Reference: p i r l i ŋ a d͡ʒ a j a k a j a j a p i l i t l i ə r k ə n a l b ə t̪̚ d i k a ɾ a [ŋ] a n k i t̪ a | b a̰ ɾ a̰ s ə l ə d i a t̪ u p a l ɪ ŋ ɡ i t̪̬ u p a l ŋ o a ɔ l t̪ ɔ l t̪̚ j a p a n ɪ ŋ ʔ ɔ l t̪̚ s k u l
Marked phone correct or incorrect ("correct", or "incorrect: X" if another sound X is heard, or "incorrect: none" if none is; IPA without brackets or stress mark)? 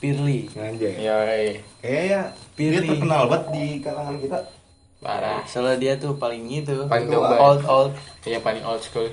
correct